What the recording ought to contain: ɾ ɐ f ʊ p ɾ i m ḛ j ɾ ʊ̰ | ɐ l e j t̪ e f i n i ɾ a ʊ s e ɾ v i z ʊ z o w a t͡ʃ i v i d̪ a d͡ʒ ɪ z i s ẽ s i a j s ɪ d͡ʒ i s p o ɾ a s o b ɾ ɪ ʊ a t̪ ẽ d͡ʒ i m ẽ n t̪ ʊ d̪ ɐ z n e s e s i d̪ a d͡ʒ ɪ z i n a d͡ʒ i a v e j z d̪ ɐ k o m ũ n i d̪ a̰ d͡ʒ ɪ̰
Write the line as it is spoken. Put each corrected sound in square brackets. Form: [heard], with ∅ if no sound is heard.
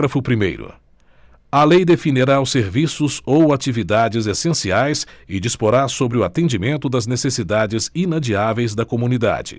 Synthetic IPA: ɾ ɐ f ʊ p ɾ i m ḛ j ɾ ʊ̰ | ɐ l e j [d̪] e f i n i ɾ a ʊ s e ɾ v i [s] ʊ z o w a t͡ʃ i v i d̪ a d͡ʒ ɪ z [e] s ẽ s i a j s ɪ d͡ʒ i s p o ɾ a s o b ɾ ɪ ʊ a t̪ ẽ d͡ʒ i m ẽ n t̪ ʊ d̪ ɐ z n e s e s i d̪ a d͡ʒ ɪ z i n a d͡ʒ i a v e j z d̪ ɐ k o m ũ n i d̪ a̰ d͡ʒ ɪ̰